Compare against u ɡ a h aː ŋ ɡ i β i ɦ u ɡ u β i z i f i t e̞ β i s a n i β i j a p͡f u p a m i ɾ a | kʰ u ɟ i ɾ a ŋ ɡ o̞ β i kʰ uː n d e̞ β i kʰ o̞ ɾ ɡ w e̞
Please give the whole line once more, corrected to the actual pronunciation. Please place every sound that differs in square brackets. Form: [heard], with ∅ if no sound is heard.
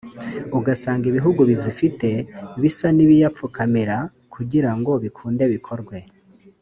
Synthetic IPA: u ɡ a [s] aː ŋ ɡ i β i ɦ u ɡ u β i z i f i t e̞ β i s a n i β i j a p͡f u [k] a m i ɾ a | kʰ u ɟ i ɾ a ŋ ɡ o̞ β i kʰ uː n d e̞ β i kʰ o̞ ɾ ɡ w e̞